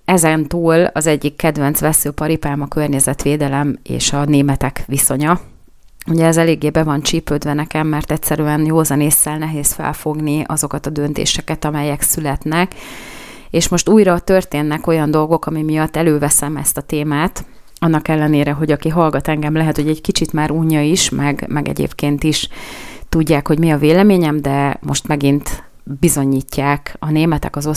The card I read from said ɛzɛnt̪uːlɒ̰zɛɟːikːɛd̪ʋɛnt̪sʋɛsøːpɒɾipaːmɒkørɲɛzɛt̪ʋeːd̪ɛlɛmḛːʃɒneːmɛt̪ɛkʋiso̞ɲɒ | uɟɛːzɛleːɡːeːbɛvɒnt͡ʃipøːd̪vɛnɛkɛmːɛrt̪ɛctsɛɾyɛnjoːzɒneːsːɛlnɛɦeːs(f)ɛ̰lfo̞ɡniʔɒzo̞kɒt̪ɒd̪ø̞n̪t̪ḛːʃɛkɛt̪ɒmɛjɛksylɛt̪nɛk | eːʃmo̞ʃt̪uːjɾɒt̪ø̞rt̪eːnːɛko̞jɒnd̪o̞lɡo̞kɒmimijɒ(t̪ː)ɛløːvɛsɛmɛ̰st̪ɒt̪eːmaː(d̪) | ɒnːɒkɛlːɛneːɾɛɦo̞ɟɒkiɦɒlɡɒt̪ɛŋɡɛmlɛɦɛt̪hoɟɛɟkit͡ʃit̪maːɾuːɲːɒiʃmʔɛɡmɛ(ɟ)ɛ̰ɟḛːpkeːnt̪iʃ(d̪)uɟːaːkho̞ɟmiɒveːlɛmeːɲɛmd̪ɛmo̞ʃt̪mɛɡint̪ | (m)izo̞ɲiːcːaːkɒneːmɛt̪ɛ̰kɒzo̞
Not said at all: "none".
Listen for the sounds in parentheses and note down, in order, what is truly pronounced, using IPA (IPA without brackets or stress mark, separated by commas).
f, t̪ː, t̪, ɡ, t̪, b